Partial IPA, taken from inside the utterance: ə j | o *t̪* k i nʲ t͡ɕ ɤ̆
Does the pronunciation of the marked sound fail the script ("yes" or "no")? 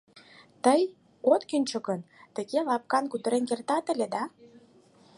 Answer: no